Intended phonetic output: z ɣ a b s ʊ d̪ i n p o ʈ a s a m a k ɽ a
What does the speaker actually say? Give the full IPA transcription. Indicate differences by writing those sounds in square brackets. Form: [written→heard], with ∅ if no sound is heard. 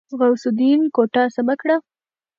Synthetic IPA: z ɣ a [b→w] s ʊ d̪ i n [p→k] o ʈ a s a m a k ɽ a